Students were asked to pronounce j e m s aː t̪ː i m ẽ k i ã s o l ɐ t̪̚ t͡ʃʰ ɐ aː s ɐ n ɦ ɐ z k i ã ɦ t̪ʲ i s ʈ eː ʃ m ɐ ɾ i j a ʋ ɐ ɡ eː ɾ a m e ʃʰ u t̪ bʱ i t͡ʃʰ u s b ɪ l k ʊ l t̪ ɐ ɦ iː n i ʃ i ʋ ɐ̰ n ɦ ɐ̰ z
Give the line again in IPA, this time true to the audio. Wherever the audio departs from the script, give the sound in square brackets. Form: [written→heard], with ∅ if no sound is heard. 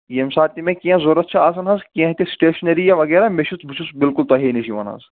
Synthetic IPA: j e m s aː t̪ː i m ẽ k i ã [s→z] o [l→ɾ] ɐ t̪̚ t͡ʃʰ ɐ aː s ɐ n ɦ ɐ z k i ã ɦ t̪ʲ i s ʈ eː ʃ [m→n] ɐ ɾ i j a ʋ ɐ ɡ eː ɾ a m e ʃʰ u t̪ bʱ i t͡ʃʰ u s b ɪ l k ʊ l t̪ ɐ ɦ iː n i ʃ i ʋ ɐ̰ n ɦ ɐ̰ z